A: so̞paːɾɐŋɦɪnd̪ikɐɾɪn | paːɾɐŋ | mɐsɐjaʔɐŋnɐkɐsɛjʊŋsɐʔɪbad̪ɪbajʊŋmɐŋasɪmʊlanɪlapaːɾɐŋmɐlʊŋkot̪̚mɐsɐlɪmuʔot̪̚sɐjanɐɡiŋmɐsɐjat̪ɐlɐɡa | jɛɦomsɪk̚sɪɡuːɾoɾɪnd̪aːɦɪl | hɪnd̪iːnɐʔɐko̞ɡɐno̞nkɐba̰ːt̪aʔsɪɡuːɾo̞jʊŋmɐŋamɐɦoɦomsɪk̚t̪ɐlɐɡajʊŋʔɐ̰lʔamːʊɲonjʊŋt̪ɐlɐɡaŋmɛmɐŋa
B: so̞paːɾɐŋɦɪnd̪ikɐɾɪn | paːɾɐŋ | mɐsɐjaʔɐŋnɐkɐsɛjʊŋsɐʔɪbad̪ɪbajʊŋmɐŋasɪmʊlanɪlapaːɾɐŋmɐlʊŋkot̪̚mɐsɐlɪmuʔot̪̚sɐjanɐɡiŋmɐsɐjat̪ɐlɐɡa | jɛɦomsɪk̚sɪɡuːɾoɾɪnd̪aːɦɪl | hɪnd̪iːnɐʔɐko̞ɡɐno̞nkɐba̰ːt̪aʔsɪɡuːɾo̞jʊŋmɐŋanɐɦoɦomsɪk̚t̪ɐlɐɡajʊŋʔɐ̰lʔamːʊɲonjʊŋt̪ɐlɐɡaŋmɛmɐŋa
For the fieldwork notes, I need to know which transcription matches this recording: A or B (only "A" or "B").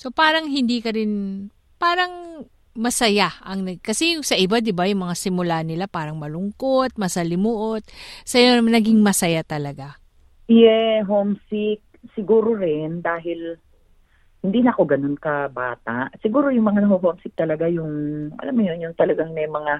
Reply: B